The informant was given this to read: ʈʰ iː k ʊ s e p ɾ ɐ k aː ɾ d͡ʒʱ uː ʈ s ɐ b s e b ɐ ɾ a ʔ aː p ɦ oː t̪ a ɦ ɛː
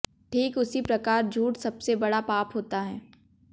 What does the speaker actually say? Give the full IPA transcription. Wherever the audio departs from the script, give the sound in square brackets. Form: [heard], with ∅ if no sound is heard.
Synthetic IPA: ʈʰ iː k ʊ s [i] p ɾ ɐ k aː ɾ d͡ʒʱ uː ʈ s ɐ b s e b ɐ [ɽ] a [p] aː p ɦ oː t̪ a ɦ ɛː

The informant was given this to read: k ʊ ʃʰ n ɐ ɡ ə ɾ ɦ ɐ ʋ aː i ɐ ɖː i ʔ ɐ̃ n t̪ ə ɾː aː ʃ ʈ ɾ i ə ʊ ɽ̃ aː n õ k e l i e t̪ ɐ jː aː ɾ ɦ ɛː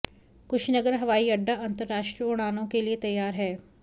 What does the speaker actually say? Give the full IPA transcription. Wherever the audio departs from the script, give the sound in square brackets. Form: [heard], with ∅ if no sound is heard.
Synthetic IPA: k ʊ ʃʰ n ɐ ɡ ə ɾ ɦ ɐ ʋ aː i ɐ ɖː [a] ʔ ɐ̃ n t̪ ə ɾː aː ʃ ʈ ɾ i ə ʊ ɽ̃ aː n õ k e l i e t̪ ɐ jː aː ɾ ɦ ɛː

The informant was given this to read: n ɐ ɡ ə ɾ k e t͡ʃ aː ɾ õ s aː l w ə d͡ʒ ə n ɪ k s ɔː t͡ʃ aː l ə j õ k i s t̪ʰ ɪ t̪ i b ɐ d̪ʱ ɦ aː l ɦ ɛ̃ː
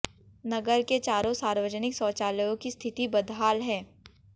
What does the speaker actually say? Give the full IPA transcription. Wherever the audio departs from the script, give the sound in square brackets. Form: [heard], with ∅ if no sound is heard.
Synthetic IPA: n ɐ ɡ ə ɾ k e t͡ʃ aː ɾ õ s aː [ɾ] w ə d͡ʒ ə n ɪ k s ɔː t͡ʃ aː l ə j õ k i s t̪ʰ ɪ t̪ i b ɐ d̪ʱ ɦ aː l ɦ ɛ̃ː

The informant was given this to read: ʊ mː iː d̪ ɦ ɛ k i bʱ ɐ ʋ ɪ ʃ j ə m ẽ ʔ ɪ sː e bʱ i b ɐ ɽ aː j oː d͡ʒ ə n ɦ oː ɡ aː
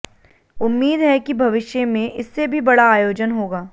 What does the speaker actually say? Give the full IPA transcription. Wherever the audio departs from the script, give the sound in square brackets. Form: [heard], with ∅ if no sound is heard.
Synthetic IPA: ʊ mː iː d̪ ɦ ɛ k i bʱ ɐ ʋ ɪ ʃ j ə m ẽ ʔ ɪ sː e bʱ i b ɐ ɽ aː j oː d͡ʒ ə n ɦ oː ɡ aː

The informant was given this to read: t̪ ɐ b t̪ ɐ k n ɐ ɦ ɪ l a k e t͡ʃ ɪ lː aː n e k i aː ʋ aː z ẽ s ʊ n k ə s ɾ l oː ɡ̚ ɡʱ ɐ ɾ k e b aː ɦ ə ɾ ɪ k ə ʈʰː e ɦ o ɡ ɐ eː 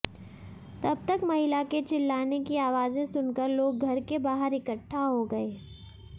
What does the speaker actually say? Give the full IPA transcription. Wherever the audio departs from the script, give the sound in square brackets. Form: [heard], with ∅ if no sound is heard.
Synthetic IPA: t̪ ɐ b t̪ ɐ k [m] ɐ ɦ ɪ l a k e t͡ʃ ɪ lː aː n e k i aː ʋ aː z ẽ s ʊ n k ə [∅] ɾ l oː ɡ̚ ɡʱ ɐ ɾ k e b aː ɦ ə ɾ ɪ k ə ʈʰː [a] ɦ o ɡ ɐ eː

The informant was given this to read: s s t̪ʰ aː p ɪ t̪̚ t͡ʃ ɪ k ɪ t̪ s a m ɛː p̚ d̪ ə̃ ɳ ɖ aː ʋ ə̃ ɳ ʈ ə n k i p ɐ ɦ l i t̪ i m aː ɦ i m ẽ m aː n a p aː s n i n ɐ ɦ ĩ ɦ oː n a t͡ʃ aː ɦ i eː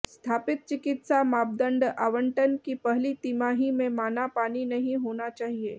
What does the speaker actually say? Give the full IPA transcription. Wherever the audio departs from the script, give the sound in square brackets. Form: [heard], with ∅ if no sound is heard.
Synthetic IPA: s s t̪ʰ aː p ɪ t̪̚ t͡ʃ ɪ k ɪ t̪ s a m [aː] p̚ d̪ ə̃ ɳ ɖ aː ʋ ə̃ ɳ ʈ ə n k i p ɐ ɦ l i t̪ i m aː ɦ i m ẽ m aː n a p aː [∅] n i n ɐ ɦ ĩ ɦ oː n a t͡ʃ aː ɦ i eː

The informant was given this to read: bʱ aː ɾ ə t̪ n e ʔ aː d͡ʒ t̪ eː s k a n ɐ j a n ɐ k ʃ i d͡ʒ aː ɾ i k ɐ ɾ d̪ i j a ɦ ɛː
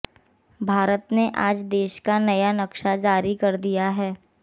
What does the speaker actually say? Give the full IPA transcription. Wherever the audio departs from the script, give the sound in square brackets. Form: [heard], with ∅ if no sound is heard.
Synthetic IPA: bʱ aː ɾ ə t̪ n e ʔ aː d͡ʒ [d̪] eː [ʃ] k a n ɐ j a n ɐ k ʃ [a] d͡ʒ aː ɾ i k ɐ ɾ d̪ i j a ɦ ɛː

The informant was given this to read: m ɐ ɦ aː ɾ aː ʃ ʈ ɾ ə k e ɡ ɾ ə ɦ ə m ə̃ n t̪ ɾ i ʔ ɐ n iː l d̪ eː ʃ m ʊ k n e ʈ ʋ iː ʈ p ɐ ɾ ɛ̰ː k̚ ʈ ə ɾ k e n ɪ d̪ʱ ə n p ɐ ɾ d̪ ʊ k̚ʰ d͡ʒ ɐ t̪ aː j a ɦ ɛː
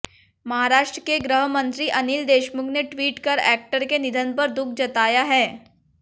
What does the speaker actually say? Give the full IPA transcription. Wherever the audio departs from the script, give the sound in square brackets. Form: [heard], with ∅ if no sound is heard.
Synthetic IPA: m ɐ ɦ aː ɾ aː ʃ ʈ ɾ ə k e ɡ ɾ ə ɦ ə m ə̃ n t̪ ɾ i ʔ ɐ n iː l d̪ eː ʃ m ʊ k n e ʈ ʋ iː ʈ [k] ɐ ɾ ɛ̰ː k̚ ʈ ə ɾ k e n ɪ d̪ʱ ə n p ɐ ɾ d̪ ʊ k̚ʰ d͡ʒ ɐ t̪ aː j a ɦ ɛː

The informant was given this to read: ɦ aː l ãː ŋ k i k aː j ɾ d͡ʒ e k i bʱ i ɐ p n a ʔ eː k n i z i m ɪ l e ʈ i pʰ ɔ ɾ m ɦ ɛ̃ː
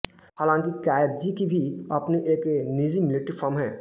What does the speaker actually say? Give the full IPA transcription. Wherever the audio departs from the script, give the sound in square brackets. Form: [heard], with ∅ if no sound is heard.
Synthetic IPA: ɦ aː l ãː ŋ k i k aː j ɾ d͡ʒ [i] k i bʱ i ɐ p n [i] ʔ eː k n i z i m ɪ l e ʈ i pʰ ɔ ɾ m ɦ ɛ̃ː

